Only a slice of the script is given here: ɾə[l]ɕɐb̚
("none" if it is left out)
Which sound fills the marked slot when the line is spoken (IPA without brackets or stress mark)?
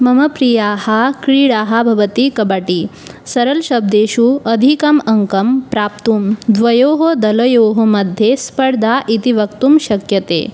l